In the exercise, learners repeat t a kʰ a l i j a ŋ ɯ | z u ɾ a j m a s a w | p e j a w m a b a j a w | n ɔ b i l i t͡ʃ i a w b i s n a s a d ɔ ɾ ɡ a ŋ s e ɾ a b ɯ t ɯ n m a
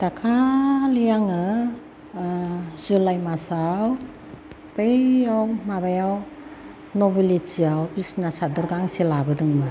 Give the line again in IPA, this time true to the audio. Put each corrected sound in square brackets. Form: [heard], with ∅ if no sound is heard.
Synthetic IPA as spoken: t a kʰ a l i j a ŋ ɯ | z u [l] a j m a s a w | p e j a w m a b a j a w | n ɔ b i l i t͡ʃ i a w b i s n a s a d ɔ ɾ ɡ a ŋ s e [l] a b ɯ [d] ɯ [ŋ] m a

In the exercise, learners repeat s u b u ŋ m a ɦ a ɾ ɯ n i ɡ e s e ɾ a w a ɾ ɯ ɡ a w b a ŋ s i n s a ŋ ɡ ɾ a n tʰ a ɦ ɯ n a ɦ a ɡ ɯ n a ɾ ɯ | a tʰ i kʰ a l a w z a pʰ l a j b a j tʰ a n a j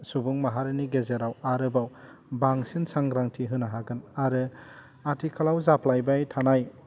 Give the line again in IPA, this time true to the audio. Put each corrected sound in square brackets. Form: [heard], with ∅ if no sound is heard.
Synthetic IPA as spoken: s u b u ŋ m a ɦ a ɾ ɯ n i ɡ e [z] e ɾ a w a ɾ ɯ [b] a w b a ŋ s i n s a ŋ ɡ ɾ a [ŋ] tʰ [i] ɦ ɯ n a ɦ a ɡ ɯ n a ɾ ɯ | a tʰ i kʰ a l a w z a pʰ l a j b a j tʰ a n a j

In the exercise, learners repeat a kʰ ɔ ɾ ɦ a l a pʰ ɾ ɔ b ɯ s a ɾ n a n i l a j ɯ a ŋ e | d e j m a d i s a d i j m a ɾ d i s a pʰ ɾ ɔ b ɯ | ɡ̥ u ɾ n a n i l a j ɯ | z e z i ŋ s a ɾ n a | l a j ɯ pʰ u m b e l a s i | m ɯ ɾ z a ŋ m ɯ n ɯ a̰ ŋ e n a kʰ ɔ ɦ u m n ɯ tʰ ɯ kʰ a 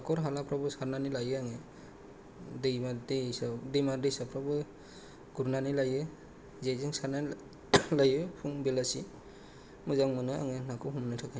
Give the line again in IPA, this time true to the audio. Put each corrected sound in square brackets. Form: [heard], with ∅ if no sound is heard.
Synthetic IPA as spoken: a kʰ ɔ ɾ ɦ a l a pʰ ɾ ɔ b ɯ s a ɾ n a n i l a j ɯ a ŋ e | d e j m a d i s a d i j m a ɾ d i s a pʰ ɾ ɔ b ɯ | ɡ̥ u ɾ n a n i l a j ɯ | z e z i ŋ s a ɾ n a | l a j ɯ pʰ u [ŋ] b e l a s i | m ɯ [∅] z a ŋ m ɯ n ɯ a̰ ŋ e n a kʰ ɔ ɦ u m n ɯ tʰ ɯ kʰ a

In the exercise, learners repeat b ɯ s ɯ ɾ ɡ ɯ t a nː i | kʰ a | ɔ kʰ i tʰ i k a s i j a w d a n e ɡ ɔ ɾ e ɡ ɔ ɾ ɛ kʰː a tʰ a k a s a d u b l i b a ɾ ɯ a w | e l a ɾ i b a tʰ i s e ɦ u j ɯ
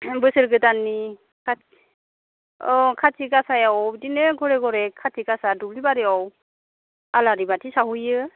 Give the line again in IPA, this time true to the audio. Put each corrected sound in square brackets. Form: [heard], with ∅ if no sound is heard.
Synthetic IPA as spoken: b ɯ s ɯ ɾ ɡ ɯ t a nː i | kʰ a | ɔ kʰ [a] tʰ i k a s [a] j a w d [i] n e ɡ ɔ ɾ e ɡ ɔ ɾ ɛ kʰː a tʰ [i] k a s a d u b l i b a ɾ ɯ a w | [a] l a ɾ i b a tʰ i s [a] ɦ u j ɯ

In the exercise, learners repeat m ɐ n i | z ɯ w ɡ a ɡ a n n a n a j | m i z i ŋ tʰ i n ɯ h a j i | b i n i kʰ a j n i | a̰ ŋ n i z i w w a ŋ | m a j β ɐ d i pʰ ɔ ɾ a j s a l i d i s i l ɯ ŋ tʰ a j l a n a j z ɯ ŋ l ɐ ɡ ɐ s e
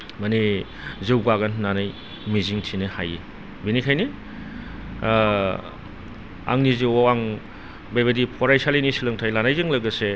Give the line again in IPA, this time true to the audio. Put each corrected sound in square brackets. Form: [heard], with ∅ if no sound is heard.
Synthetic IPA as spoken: m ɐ n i | z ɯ w ɡ a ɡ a n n a n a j | m i z i ŋ tʰ i n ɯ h a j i | b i n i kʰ a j n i | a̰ ŋ n i z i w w a ŋ | [b] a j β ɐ d i pʰ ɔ ɾ a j s a l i [n] i s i l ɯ ŋ tʰ a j l a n a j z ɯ ŋ l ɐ ɡ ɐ s e

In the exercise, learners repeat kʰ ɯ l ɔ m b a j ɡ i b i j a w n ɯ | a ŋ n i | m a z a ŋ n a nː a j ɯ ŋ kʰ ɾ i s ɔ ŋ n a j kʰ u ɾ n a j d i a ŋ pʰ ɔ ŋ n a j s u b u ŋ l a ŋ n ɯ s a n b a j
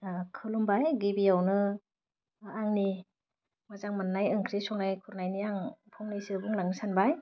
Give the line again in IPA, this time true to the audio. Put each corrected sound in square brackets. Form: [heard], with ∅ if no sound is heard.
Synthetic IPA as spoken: kʰ ɯ l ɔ m b a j ɡ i b i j a w n ɯ | a ŋ n i | m a z a ŋ [m] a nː a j ɯ ŋ kʰ ɾ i s ɔ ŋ n a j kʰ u ɾ n a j [n] i a ŋ pʰ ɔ ŋ n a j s [ɯ] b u ŋ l a ŋ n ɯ s a n b a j

